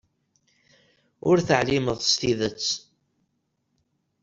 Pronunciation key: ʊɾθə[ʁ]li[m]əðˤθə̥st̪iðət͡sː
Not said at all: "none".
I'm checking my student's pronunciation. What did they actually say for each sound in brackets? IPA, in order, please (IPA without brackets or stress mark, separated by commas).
ʕ, m